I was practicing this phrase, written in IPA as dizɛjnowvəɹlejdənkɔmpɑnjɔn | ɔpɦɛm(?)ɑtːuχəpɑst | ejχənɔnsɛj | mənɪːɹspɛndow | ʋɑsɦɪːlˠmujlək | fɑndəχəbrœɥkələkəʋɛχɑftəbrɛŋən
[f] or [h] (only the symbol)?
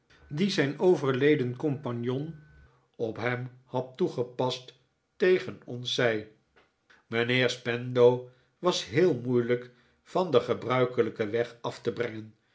h